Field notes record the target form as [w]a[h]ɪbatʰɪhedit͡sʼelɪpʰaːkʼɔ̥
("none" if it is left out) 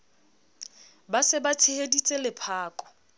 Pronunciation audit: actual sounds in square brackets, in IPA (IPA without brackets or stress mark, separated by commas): b, s